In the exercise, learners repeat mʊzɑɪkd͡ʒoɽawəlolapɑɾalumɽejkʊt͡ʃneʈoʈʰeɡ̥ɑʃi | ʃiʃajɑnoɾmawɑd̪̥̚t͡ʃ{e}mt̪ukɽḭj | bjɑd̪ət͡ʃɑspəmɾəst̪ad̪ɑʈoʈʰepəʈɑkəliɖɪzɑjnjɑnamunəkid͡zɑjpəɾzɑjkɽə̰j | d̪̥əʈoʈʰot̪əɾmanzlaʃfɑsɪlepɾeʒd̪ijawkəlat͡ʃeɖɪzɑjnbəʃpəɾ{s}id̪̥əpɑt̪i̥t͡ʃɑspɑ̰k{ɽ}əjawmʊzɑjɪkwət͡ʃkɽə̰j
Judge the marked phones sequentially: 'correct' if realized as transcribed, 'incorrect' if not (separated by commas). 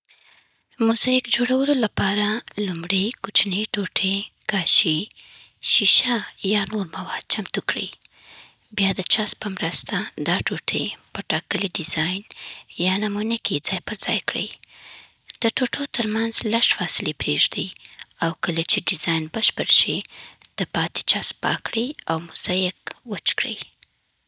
incorrect, incorrect, correct